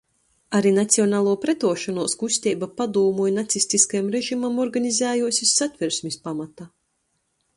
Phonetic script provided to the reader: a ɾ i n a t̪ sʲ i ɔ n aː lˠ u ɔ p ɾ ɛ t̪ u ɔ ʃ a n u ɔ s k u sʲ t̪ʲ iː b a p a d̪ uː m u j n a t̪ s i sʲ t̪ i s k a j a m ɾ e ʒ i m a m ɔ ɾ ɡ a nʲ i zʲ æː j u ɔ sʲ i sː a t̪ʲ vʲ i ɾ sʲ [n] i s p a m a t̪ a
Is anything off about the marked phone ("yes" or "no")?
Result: yes